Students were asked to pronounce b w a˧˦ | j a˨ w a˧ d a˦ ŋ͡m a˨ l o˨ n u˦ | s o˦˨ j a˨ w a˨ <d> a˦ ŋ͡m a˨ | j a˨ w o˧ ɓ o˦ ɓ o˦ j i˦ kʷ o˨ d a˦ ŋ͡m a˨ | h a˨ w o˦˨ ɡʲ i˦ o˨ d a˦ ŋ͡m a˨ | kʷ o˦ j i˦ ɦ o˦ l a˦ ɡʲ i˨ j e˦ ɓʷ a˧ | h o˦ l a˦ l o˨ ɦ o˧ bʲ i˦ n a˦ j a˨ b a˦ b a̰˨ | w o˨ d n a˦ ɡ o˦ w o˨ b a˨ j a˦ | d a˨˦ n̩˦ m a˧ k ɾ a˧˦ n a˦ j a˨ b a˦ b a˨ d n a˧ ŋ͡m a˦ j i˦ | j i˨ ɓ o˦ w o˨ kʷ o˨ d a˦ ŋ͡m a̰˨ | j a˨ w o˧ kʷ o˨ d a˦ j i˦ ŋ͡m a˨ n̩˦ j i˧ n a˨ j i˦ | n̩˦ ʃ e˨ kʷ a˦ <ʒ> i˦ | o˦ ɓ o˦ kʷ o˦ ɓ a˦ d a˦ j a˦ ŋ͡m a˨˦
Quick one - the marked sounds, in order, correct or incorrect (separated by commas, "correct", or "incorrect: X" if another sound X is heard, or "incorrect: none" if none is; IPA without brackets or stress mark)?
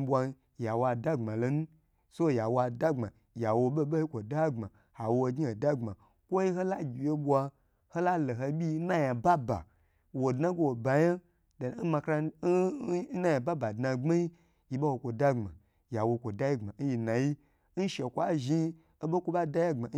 correct, correct